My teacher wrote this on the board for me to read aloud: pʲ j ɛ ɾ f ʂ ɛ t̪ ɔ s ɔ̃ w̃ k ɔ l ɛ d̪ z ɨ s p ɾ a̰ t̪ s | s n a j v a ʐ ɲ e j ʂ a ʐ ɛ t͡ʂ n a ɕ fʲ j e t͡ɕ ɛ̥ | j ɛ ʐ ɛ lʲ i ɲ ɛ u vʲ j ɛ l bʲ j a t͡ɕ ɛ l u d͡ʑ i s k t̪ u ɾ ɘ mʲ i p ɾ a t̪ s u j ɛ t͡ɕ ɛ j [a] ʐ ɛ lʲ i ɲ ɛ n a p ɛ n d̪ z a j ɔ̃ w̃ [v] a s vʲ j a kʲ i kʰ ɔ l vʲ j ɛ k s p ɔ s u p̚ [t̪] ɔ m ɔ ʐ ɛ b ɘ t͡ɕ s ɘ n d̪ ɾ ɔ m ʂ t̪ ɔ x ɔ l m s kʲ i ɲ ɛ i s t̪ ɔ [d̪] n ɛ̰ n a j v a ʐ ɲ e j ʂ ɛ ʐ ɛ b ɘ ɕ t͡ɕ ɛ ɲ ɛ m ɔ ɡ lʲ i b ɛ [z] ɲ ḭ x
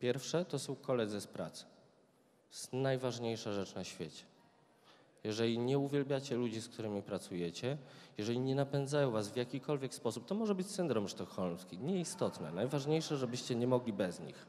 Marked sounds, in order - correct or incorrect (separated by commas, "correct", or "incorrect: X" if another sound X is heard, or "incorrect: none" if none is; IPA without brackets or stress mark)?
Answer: incorrect: ɛ, correct, correct, incorrect: t̪, correct